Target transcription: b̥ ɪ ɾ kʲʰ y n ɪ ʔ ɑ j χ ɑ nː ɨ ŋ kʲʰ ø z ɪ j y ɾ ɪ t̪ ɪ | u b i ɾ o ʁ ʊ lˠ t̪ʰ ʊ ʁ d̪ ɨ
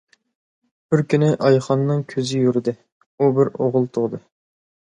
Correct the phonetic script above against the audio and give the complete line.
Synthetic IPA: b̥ ɪ ɾ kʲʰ y n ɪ ʔ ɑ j χ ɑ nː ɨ ŋ kʲʰ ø z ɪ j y ɾ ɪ d̪ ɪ | u b ɪ ɾ o ʁ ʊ lˠ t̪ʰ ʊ ʁ d̪ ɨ